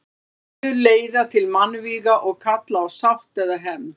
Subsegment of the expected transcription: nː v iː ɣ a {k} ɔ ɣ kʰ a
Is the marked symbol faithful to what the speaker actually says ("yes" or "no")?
no